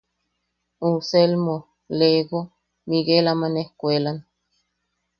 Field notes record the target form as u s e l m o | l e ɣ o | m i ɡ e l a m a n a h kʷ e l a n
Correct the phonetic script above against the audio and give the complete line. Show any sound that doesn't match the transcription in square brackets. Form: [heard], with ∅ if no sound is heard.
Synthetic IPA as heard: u s e l m o | l e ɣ o | m i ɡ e l a m a n [e] h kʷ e l a n